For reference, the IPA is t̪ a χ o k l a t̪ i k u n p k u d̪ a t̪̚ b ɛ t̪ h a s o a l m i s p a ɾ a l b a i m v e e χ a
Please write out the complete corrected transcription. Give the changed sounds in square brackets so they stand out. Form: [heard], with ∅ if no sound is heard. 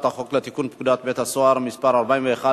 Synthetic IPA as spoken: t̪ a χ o k l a t̪ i k u n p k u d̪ a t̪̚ b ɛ t̪ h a s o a [ɾ] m i s p a ɾ a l b a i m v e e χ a